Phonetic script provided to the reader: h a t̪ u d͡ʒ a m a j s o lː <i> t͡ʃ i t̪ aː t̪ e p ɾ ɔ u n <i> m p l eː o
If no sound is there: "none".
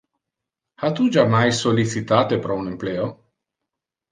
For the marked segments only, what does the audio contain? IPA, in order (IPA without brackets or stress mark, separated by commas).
i, e